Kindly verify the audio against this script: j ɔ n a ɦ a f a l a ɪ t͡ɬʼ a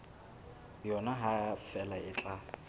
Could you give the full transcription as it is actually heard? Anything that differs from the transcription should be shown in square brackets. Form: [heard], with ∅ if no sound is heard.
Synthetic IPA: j ɔ n a ɦ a f [ɛ] l a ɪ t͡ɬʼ a